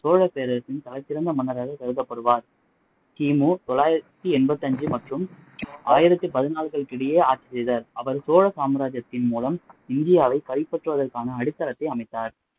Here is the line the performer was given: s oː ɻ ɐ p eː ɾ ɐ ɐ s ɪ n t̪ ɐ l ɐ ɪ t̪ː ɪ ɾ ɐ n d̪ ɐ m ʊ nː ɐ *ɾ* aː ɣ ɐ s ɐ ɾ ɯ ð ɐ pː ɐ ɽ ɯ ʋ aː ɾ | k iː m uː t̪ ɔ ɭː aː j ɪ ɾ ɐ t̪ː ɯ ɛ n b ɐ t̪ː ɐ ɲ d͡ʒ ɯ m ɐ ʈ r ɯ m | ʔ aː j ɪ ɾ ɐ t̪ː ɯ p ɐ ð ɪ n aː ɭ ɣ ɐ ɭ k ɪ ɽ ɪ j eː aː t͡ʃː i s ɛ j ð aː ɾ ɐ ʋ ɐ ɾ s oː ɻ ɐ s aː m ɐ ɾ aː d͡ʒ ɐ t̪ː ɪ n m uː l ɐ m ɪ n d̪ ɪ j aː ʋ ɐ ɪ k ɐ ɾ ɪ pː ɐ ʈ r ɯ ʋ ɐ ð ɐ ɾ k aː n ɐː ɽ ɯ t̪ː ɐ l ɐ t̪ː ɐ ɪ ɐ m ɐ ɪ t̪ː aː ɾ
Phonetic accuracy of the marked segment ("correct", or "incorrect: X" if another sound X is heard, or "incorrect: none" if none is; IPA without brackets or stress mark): correct